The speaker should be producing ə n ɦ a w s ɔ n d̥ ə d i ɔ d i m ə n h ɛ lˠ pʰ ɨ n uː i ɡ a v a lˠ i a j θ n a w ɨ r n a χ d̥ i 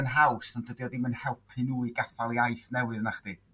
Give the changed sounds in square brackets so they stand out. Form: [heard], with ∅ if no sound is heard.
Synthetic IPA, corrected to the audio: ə n ɦ a w s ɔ n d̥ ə d i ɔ d i m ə n h ɛ lˠ pʰ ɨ n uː i ɡ a [f] a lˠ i a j θ n [ɛ] w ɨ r n a χ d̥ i